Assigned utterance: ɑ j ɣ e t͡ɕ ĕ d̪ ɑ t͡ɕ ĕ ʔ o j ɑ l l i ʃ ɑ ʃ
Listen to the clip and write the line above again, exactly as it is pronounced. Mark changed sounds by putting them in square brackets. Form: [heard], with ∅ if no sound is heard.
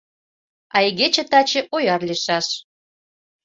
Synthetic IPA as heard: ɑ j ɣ e t͡ɕ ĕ [t̪] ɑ t͡ɕ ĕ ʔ o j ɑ [r] l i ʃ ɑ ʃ